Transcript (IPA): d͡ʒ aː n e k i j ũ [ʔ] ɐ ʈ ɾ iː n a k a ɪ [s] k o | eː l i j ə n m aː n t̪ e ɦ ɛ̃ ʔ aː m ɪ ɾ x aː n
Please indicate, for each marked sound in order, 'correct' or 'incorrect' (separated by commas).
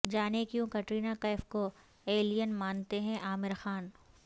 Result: incorrect, incorrect